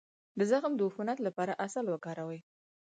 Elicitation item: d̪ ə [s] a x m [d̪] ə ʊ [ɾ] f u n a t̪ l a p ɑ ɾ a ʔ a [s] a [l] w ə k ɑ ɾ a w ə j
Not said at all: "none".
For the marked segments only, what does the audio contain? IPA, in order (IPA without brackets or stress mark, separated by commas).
z, d̪, none, s, l